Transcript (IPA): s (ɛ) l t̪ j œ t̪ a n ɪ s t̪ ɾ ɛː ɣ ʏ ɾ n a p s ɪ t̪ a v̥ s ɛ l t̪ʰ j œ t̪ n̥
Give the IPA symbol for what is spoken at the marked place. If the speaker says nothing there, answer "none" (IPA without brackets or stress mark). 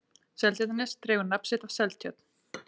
ɛ